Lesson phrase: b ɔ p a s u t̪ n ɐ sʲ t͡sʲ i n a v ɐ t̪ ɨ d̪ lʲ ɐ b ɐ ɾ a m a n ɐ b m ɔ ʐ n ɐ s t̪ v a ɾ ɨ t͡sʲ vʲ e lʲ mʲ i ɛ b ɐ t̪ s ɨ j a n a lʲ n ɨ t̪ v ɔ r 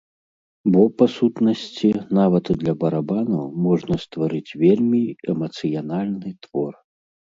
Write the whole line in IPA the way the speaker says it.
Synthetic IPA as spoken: b ɔ p a s u t̪ n ɐ sʲ t͡sʲ i n a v ɐ t̪ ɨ d̪ lʲ ɐ b ɐ ɾ a b a n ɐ m ɔ ʐ n ɐ s t̪ v a ɾ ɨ t͡sʲ vʲ e lʲ mʲ i ɛ m ɐ t̪ s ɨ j a n a lʲ n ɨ t̪ v ɔ r